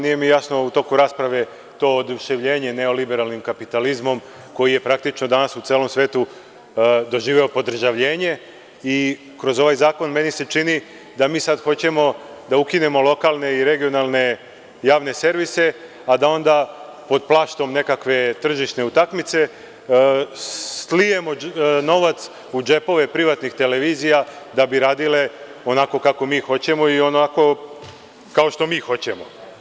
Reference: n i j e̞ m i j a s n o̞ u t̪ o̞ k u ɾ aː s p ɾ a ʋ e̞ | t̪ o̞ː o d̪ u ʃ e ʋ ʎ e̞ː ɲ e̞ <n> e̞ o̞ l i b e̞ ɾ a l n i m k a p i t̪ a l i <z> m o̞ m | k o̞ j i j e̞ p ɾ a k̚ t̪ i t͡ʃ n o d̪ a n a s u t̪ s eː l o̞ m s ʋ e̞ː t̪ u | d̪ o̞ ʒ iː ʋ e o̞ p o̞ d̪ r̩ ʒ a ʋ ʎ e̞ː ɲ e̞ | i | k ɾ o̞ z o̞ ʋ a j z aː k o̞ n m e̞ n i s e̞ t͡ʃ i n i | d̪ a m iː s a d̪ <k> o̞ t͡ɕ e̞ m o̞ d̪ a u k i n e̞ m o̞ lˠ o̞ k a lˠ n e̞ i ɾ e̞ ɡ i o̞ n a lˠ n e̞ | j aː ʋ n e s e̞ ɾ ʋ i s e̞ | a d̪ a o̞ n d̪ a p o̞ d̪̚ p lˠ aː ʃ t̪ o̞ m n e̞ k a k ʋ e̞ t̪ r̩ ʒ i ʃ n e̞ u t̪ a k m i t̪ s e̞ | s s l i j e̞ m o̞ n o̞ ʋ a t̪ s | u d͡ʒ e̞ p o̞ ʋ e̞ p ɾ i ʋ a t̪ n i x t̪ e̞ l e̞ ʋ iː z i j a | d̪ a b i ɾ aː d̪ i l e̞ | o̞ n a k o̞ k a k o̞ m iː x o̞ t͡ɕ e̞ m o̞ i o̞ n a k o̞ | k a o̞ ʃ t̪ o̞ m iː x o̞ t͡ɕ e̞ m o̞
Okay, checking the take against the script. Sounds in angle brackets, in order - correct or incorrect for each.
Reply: correct, correct, incorrect

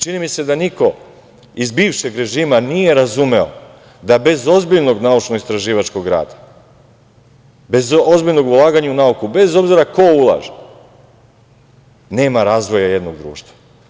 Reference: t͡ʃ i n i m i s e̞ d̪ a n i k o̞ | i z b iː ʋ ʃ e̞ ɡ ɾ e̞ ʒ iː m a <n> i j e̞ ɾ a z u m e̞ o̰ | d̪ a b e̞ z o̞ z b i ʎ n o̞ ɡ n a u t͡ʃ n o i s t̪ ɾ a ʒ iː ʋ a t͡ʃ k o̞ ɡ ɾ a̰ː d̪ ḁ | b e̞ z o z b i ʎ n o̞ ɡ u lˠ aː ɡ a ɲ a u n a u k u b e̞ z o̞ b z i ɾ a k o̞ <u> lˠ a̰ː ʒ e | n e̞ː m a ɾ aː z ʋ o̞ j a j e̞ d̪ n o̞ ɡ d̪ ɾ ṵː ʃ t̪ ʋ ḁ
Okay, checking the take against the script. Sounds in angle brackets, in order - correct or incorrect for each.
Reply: correct, correct

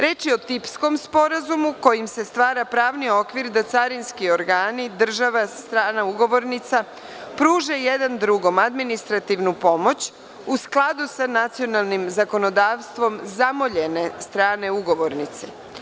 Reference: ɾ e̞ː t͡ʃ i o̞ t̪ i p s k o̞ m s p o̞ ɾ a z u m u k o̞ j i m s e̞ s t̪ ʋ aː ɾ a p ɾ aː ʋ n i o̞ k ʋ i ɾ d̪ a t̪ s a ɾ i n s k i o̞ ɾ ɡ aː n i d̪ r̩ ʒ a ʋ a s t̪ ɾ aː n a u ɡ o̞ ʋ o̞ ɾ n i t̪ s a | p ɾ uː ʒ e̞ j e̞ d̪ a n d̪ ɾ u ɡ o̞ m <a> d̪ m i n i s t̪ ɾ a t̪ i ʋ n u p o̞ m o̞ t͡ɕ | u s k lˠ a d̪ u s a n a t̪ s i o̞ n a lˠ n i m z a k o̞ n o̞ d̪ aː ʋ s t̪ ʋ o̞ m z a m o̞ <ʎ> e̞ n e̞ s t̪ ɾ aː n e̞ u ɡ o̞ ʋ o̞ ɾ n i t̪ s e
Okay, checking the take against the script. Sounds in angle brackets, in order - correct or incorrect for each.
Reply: correct, correct

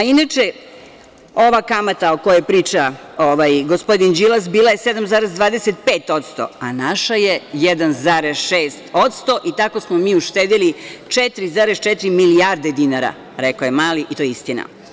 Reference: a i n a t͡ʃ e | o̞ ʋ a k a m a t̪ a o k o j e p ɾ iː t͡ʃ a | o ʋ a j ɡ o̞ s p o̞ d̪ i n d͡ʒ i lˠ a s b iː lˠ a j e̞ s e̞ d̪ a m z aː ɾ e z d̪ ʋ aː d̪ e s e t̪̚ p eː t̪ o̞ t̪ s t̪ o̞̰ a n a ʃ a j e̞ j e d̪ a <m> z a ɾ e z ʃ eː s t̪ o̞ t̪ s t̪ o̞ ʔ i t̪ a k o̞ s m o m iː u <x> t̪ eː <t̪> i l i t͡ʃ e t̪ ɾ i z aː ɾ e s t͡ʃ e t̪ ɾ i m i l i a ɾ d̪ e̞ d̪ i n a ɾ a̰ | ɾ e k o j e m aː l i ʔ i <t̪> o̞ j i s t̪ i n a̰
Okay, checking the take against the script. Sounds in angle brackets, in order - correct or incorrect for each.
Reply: incorrect, incorrect, incorrect, correct

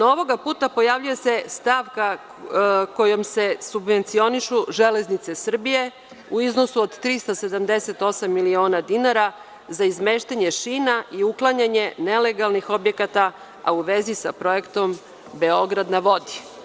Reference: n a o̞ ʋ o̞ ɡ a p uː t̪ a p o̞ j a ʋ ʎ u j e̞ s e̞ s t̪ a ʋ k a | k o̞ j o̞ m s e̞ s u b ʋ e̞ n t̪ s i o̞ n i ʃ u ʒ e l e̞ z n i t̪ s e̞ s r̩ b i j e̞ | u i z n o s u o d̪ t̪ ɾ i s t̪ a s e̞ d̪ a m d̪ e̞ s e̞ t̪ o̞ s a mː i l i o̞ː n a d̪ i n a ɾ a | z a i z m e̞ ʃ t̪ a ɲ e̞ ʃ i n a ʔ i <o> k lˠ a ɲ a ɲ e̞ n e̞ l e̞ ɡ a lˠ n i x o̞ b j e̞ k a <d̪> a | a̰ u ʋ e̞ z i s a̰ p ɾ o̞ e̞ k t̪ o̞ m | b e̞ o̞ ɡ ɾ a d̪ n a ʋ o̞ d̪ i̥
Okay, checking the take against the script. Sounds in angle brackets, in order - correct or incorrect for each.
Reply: incorrect, incorrect

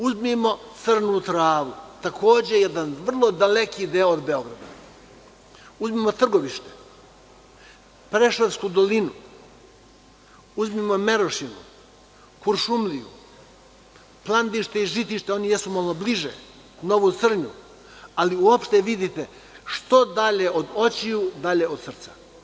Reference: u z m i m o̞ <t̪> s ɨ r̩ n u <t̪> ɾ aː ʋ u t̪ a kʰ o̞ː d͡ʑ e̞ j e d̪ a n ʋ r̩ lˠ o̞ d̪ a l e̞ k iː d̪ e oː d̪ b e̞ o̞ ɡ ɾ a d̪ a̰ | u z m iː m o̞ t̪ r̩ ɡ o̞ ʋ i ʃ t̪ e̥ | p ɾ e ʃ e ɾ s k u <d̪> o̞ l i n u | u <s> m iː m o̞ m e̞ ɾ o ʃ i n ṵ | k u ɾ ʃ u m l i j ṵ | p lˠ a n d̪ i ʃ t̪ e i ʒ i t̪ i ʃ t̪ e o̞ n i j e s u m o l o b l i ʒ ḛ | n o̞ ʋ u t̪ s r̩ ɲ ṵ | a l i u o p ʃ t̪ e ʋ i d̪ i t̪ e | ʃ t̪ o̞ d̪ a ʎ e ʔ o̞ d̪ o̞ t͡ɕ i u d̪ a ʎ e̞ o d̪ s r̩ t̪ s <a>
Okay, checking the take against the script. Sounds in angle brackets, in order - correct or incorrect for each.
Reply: correct, correct, correct, incorrect, correct

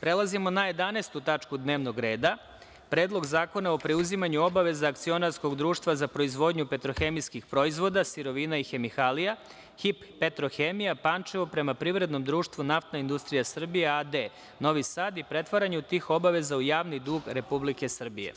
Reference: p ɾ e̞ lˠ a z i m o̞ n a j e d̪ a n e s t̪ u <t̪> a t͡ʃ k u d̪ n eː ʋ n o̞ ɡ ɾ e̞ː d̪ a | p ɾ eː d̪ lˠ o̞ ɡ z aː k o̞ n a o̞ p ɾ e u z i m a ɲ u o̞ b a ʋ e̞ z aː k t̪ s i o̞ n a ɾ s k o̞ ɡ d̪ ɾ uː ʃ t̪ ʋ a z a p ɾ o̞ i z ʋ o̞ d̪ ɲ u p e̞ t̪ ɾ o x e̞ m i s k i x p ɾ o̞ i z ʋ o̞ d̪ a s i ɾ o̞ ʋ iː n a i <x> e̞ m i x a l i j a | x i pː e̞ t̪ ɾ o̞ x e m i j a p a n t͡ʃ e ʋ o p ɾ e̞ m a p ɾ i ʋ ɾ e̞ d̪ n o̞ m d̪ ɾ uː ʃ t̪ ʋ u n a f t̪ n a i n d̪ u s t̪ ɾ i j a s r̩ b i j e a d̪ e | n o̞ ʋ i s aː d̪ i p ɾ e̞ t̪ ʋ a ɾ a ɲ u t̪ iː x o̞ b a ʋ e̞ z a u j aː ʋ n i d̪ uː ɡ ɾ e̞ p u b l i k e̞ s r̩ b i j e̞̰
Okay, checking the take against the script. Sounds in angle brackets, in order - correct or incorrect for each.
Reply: correct, correct

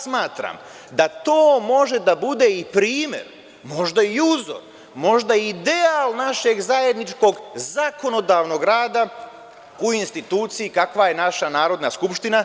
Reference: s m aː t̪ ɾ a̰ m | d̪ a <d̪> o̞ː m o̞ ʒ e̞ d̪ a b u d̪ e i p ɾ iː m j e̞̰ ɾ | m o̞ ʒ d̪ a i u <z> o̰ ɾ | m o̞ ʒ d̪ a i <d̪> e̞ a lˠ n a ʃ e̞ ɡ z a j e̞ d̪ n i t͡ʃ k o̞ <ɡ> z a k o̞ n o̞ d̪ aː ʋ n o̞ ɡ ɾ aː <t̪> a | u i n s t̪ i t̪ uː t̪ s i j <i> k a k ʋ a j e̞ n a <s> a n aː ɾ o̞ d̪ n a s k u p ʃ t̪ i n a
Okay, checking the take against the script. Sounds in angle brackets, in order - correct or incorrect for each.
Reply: incorrect, correct, correct, correct, incorrect, correct, incorrect

